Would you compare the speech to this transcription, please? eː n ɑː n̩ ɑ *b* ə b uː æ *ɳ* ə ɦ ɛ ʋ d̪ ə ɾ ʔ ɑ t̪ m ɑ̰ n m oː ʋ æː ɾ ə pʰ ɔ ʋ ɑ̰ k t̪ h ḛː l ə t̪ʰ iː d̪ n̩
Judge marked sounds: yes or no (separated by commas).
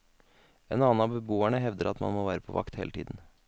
yes, yes